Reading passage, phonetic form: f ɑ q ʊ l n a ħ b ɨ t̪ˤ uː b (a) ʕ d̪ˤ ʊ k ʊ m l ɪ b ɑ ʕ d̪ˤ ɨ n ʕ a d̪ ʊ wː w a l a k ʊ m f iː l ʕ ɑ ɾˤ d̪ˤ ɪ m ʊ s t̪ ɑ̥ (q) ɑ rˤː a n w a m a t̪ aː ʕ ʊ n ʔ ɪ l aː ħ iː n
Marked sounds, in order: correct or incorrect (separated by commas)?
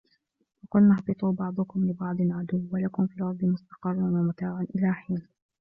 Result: incorrect, correct